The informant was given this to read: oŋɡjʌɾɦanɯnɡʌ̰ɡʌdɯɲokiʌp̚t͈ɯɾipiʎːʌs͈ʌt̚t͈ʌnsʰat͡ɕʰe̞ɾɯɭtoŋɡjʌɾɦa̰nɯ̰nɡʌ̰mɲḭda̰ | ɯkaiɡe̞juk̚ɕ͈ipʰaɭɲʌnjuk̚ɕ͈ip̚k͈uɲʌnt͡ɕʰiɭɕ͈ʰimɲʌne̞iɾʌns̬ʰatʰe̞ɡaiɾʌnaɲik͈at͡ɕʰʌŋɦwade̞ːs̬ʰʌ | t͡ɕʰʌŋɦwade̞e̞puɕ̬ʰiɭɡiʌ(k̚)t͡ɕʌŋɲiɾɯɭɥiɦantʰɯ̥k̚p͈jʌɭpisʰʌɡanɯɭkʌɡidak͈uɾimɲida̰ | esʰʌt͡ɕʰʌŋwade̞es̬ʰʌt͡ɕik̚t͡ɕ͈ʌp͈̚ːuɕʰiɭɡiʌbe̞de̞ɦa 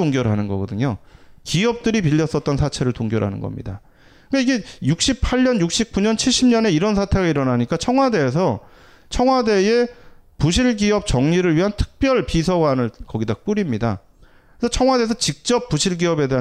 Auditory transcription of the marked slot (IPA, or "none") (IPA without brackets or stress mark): p̚